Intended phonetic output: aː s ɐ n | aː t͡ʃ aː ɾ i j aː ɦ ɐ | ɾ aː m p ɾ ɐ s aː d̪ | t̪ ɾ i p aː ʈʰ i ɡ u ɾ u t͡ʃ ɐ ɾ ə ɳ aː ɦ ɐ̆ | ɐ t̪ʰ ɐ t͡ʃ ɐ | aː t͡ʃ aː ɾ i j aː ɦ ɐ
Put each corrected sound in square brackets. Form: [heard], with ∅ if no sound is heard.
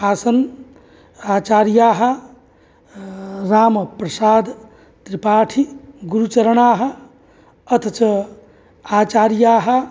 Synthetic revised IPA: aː s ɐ n | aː t͡ʃ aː ɾ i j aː ɦ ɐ | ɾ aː m p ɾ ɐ s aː d̪ | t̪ ɾ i p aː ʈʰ i ɡ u ɾ u t͡ʃ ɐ ɾ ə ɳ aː ɦ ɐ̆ | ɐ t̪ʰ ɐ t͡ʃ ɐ | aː t͡ʃ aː ɾ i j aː ɦ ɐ